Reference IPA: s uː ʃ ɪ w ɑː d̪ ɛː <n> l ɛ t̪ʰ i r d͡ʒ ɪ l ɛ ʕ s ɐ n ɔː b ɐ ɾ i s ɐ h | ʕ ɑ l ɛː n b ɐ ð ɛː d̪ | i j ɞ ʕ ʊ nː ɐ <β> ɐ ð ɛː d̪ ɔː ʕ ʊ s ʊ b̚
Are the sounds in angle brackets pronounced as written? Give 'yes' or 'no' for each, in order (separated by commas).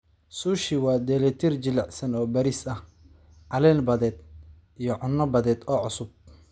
no, no